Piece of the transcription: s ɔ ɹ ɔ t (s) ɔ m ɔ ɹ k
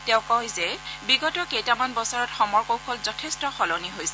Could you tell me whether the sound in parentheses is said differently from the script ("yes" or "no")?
yes